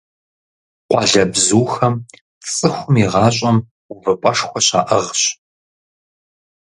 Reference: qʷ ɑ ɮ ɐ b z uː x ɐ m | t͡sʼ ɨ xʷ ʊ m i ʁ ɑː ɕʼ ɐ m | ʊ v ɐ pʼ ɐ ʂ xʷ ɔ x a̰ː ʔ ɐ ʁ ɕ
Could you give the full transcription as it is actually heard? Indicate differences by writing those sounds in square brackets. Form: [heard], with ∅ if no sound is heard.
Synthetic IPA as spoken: qʷ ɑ ɮ ɐ b z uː x ɐ m | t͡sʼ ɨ xʷ ʊ m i ʁ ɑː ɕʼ ɐ m | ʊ v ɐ pʼ ɐ ʂ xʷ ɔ [ɕ] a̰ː ʔ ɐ ʁ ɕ